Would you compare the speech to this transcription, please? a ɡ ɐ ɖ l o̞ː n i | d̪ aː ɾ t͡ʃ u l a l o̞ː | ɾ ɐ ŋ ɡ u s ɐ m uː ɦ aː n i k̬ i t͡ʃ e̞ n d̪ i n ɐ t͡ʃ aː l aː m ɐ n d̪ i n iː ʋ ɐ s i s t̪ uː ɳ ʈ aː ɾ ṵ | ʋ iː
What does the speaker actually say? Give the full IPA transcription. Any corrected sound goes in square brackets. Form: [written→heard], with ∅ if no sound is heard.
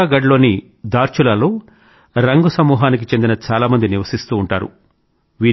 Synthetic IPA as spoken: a ɡ ɐ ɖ l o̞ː n i | d̪ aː ɾ t͡ʃ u l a l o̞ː | ɾ ɐ ŋ ɡ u s ɐ m uː ɦ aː n i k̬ i t͡ʃ e̞ n d̪ i n ɐ t͡ʃ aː l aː m ɐ n d̪ i n [iː→i] ʋ ɐ s i s t̪ uː ɳ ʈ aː ɾ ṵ | ʋ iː